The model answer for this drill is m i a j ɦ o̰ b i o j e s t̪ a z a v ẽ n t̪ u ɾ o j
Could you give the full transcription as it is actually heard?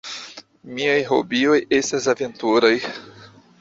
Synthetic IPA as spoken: m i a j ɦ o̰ b i o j e s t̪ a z a v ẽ n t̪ u ɾ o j